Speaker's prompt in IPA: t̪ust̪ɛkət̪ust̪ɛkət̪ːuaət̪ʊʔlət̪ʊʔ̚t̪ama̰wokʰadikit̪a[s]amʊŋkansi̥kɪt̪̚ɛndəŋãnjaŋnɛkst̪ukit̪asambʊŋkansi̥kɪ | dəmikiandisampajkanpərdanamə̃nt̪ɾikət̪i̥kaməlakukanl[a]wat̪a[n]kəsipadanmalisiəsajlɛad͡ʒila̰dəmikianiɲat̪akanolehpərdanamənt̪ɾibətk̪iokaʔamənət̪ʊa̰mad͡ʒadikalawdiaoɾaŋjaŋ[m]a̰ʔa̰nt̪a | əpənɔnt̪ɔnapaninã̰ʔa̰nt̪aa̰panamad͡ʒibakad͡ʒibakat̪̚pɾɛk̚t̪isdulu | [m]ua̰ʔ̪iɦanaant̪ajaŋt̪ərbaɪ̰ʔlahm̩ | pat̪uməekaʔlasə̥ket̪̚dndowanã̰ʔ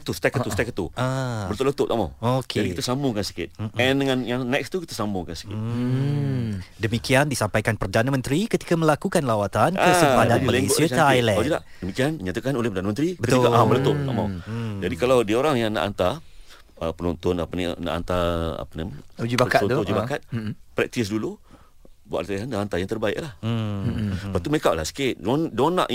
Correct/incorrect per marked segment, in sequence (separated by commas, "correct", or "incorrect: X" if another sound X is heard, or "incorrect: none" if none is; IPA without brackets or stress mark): correct, correct, correct, incorrect: n, incorrect: b